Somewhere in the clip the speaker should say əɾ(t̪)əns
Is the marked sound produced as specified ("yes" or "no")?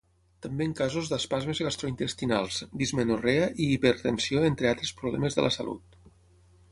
yes